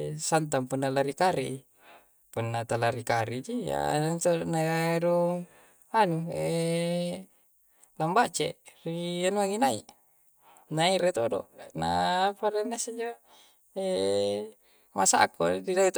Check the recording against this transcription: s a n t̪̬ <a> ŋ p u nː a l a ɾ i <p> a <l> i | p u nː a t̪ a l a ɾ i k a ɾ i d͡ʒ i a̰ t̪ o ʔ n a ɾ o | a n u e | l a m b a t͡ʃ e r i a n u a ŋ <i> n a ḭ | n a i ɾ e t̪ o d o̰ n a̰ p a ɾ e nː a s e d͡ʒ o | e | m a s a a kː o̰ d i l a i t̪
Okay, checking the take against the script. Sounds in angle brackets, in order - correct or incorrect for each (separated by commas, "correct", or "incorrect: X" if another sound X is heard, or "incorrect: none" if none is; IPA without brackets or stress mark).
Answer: correct, incorrect: k, incorrect: ɾ, correct